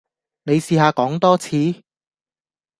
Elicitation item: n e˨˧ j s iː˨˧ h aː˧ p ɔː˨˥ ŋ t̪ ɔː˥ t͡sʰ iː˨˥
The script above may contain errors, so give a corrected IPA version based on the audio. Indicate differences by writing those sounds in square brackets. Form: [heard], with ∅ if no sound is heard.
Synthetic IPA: n e˨˧ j s iː˨˧ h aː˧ [k] ɔː˨˥ ŋ t̪ ɔː˥ t͡sʰ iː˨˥